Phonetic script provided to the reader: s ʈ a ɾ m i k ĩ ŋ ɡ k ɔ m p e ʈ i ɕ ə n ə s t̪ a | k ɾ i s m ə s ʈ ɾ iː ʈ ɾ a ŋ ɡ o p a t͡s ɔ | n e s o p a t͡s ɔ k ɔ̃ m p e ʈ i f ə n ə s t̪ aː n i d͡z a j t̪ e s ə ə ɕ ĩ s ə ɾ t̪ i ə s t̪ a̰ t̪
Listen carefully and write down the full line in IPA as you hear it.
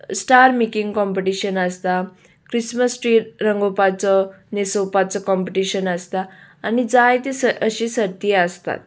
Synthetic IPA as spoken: s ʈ a ɾ m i k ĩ ŋ ɡ k ɔ m p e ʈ i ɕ ə n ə s t̪ a | k ɾ i s m ə s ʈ ɾ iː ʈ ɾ ə ŋ ɡ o p a t͡s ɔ | n e s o p a t͡s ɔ k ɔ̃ m p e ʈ i ɕ ə n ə s t̪ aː n i d͡z a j t̪ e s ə ə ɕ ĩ s ə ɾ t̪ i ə s t̪ a̰ t̪